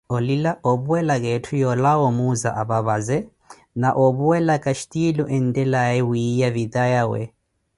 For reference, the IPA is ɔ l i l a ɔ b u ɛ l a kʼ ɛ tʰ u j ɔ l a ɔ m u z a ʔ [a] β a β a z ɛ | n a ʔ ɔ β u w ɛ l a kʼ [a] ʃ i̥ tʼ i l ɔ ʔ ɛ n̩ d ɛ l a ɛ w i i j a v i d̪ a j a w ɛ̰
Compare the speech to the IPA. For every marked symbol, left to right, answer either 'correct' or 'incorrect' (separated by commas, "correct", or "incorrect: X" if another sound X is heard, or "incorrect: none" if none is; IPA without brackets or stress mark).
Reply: correct, correct